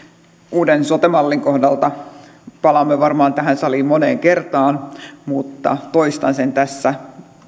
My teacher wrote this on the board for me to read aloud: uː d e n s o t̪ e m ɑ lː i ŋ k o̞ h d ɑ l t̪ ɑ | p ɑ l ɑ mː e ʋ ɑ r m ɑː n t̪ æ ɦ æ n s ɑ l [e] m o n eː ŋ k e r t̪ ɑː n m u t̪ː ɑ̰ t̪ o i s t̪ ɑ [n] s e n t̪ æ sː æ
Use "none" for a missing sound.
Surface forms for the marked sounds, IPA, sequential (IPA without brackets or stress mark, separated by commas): i, n